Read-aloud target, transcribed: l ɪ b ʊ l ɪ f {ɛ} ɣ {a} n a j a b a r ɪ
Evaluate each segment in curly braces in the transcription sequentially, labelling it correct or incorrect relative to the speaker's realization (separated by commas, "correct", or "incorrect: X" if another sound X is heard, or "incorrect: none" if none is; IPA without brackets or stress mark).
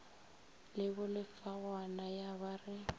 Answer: incorrect: a, correct